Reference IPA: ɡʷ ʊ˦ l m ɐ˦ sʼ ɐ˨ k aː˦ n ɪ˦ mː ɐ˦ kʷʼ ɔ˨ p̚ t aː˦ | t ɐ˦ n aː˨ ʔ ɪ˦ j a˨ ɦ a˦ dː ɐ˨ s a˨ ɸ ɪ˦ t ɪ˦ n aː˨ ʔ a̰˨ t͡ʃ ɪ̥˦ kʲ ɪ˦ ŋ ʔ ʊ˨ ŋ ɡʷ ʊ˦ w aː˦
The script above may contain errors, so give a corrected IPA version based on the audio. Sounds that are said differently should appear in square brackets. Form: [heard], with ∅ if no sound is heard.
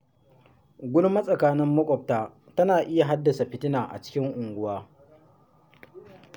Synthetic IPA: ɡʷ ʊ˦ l m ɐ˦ sʼ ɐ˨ k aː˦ n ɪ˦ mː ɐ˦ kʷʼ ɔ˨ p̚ t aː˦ | t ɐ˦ n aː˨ ʔ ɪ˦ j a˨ ɦ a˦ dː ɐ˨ s a˨ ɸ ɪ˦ t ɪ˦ n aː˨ ʔ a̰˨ t͡ʃ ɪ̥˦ kʲ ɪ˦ ŋ ʔ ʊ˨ ŋ ɡʷ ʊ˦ w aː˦